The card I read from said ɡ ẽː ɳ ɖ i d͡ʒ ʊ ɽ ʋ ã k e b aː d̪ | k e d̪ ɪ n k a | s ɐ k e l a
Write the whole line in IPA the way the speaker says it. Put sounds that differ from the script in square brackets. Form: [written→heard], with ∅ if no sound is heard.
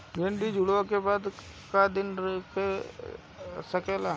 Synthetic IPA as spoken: ɡ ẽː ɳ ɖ i d͡ʒ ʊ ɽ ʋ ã k e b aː d̪ | k [e→a] d̪ ɪ n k [a→e] | s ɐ k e l a